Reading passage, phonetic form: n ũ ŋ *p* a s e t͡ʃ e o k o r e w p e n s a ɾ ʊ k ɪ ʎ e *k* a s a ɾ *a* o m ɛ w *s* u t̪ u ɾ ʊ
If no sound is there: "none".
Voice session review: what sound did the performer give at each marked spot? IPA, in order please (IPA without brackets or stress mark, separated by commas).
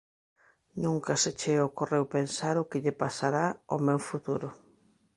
k, p, a, f